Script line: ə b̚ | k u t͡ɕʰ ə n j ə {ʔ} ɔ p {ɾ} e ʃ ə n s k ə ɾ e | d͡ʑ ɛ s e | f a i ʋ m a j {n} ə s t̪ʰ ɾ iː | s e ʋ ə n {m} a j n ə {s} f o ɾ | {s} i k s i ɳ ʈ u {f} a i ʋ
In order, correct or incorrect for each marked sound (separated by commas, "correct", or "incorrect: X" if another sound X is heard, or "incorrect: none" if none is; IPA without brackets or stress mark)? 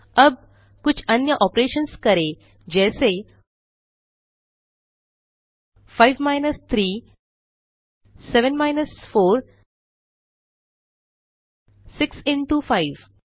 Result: correct, correct, correct, correct, correct, correct, correct